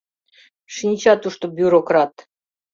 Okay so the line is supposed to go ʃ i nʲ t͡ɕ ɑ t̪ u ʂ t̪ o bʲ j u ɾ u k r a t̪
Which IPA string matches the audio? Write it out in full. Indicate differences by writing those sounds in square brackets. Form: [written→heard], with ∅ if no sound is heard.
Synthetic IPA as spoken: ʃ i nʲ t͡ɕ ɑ t̪ u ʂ t̪ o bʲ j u ɾ [u→o] k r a t̪